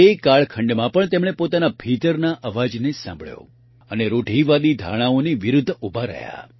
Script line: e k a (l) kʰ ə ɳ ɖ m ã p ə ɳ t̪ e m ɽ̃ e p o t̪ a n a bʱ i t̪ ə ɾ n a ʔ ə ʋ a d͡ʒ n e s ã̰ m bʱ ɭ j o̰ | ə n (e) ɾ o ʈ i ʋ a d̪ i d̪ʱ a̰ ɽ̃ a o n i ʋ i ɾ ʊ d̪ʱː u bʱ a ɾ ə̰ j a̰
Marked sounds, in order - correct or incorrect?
incorrect: ɭ, correct

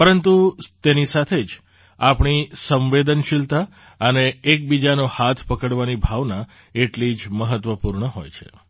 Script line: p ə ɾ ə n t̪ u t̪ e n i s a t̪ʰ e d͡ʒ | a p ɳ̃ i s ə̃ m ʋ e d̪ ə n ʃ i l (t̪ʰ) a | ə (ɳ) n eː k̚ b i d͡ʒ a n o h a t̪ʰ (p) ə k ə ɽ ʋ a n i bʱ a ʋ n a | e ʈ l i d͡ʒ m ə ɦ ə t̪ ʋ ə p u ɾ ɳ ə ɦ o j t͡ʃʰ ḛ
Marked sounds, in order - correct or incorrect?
incorrect: t̪, incorrect: none, correct

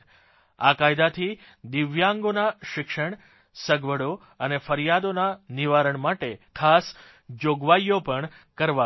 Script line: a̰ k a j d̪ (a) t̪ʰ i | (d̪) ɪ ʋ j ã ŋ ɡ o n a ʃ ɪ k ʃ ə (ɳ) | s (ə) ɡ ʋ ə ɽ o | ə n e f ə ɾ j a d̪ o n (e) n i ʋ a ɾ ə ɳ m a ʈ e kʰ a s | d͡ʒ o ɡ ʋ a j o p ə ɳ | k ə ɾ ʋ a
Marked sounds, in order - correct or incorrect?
correct, correct, correct, correct, incorrect: a

